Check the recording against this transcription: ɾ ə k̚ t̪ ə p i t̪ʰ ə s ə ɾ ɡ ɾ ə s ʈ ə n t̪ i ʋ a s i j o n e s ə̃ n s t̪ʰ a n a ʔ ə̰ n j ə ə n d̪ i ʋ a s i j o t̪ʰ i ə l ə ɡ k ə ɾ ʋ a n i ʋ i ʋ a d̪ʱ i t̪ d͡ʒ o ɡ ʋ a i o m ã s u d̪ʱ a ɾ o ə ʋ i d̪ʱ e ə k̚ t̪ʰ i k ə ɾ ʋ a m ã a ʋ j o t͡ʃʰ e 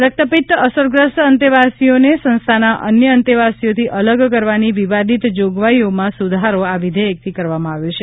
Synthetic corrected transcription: ɾ ə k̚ t̪ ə p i t̪ ə s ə ɾ ɡ ɾ ə s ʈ ə n t̪ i ʋ a s i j o n e s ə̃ n s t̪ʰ a n a ʔ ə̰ n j ə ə n t̪ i ʋ a s i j o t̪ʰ i ə l ə ɡ k ə ɾ ʋ a n i ʋ i ʋ a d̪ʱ i t̪ d͡ʒ o ɡ ʋ a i o m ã s u d̪ʱ a ɾ o a ʋ i d̪ʱ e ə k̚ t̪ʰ i k ə ɾ ʋ a m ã a ʋ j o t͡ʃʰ e